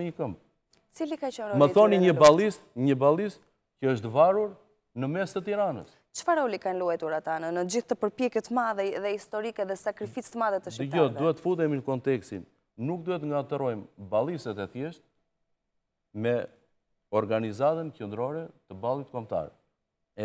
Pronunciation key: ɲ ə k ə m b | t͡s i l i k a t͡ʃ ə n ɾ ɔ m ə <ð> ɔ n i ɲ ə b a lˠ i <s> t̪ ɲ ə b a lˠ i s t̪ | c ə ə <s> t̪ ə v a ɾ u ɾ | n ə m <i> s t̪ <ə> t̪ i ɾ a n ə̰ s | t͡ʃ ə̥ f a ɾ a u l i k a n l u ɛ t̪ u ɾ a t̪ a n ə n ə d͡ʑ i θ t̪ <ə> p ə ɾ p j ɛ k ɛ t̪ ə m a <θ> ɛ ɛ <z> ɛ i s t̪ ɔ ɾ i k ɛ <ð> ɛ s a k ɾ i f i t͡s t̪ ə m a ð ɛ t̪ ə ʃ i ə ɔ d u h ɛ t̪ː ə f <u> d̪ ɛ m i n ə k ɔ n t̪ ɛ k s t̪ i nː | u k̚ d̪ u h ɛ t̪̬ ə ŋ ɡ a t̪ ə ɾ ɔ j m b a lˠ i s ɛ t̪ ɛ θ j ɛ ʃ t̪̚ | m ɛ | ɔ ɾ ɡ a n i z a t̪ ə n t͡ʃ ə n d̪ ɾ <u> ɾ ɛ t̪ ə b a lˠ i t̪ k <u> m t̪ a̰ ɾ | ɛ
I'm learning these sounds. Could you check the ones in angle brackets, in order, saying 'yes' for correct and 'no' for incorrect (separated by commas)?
no, yes, no, no, yes, yes, no, no, yes, yes, no, no